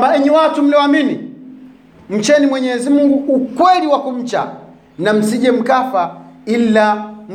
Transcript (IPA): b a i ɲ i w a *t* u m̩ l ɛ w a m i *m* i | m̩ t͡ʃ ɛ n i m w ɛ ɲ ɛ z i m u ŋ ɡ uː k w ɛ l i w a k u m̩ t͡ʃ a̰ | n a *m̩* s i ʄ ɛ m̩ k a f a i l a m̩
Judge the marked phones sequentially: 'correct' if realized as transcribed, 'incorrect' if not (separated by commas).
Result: correct, incorrect, correct